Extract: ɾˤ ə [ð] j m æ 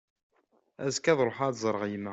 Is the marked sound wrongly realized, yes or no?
yes